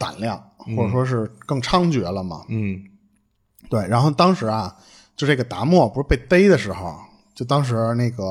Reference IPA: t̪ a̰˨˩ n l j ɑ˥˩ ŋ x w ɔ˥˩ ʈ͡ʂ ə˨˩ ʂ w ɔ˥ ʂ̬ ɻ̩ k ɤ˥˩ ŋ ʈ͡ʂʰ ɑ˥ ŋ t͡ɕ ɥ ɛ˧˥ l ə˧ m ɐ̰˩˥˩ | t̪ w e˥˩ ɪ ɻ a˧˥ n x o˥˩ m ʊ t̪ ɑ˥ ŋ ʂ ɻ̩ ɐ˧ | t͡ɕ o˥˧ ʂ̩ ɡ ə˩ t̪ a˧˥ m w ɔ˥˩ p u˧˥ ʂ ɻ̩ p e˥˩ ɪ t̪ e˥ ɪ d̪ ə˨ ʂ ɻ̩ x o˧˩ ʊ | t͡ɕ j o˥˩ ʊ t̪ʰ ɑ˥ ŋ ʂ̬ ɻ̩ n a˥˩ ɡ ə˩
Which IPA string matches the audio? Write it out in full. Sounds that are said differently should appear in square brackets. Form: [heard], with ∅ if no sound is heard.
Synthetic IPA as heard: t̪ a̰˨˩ n l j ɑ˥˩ ŋ x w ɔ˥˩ ʈ͡ʂ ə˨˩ ʂ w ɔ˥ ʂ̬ ɻ̩ k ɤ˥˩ ŋ ʈ͡ʂʰ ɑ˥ ŋ t͡ɕ ɥ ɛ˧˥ l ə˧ m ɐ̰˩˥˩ | t̪ w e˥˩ ɪ ɻ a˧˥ n x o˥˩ [∅] ʊ t̪ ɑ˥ ŋ ʂ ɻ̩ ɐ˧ | t͡ɕ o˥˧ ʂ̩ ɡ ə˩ t̪ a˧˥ m w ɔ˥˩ p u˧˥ ʂ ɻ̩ p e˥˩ ɪ t̪ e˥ ɪ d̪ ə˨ ʂ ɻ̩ x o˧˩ ʊ | t͡ɕ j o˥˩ ʊ [t̪] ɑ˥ ŋ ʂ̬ ɻ̩ n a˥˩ ɡ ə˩